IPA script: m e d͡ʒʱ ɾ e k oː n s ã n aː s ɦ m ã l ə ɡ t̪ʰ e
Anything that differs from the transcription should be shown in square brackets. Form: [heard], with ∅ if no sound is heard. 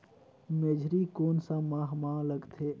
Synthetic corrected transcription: m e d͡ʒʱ ɾ [i] k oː n s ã [m] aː [∅] ɦ m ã l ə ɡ t̪ʰ e